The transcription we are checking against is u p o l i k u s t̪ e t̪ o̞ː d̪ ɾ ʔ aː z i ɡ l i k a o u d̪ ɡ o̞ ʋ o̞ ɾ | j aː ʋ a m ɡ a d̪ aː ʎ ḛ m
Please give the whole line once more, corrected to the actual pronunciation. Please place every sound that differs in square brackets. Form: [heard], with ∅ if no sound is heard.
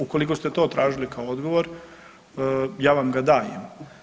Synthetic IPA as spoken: u [k] o l i k [o] s t̪ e t̪ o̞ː [t̪] ɾ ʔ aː [ʒ] i [∅] l i k a o [o] d̪ ɡ o̞ ʋ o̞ ɾ | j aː ʋ a m ɡ a d̪ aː [j] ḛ m